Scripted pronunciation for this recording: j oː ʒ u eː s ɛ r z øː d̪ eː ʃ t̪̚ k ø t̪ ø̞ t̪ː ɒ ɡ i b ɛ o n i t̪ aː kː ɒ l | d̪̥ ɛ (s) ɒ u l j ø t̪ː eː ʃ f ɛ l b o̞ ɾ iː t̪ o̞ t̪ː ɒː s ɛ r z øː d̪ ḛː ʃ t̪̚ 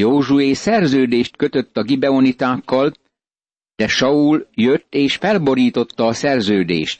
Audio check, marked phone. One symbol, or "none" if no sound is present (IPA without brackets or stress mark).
ʃ